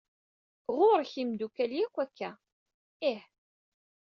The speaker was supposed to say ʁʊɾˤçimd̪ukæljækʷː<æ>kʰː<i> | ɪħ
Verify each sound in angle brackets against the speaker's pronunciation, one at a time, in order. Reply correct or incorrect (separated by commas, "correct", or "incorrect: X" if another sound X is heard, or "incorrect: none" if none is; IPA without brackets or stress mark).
correct, incorrect: æ